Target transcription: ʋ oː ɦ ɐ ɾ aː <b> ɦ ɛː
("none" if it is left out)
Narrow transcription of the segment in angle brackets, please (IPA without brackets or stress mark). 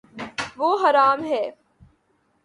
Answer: m